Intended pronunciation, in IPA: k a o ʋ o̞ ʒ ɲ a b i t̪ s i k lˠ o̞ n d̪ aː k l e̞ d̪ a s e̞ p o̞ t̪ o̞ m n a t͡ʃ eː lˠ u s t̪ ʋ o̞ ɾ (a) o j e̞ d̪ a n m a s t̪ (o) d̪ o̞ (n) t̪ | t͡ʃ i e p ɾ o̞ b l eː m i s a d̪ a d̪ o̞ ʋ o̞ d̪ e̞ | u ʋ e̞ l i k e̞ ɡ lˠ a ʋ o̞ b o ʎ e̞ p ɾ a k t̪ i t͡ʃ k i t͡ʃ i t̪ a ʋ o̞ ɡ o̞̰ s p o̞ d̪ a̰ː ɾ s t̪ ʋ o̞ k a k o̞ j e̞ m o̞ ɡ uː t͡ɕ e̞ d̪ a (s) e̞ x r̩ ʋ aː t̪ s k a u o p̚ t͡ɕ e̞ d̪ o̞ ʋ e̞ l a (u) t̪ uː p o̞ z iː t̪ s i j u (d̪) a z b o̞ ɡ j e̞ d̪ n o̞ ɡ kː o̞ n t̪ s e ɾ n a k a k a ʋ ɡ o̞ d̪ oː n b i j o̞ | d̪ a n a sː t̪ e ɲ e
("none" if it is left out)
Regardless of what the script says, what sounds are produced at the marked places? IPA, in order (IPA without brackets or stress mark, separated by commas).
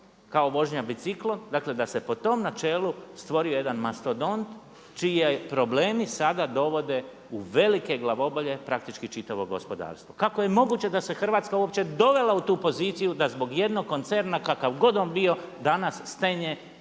i, o, n, s, u, d̪